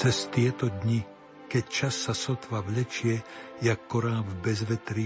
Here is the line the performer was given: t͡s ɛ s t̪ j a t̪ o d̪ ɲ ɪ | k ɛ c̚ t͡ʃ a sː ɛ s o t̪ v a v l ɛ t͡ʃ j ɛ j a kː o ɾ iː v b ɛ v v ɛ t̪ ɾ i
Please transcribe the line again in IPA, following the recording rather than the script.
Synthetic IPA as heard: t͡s ɛ s t̪ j ɛ t̪ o d̪ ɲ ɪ | k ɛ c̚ t͡ʃ a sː a s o t̪ v a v l ɛ t͡ʃ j ɛ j a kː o ɾ aː v b ɛ z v ɛ t̪ ɾ i